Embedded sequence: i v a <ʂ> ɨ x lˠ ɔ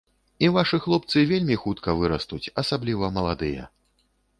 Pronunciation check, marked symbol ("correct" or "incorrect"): correct